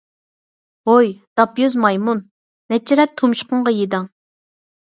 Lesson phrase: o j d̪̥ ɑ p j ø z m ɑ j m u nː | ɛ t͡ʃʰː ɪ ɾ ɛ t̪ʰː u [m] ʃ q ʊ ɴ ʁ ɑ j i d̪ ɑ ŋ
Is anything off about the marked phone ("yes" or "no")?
no